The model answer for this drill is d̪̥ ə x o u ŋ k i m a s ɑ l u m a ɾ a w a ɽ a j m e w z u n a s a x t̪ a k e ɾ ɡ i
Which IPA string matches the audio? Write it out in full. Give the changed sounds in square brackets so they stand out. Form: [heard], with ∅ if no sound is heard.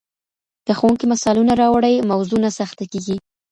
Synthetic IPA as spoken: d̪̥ ə x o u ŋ k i m a s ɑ l u [n] a ɾ [ɑ] w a ɽ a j m [a] w z u n a s a x t̪ a k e [∅] ɡ i